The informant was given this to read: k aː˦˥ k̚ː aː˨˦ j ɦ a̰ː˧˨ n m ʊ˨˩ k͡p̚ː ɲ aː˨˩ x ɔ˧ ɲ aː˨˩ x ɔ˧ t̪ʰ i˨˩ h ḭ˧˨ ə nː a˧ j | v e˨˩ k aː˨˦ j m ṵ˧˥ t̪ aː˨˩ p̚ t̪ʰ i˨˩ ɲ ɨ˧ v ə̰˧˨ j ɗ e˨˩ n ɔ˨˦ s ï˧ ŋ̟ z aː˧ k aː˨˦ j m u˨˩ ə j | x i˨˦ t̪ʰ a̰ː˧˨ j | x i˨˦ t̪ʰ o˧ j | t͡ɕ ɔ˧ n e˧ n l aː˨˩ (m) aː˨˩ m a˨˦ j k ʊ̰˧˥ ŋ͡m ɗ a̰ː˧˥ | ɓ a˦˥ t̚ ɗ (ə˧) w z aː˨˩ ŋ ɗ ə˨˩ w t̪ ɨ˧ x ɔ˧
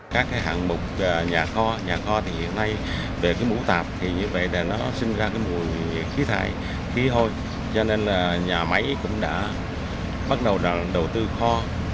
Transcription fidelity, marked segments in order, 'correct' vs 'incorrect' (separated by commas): incorrect, incorrect